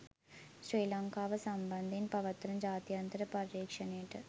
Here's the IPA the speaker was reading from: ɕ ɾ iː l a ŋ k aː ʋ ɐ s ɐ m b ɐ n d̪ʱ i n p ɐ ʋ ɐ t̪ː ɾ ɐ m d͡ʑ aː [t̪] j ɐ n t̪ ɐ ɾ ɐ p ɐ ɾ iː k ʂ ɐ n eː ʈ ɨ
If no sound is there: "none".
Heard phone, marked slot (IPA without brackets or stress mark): t̪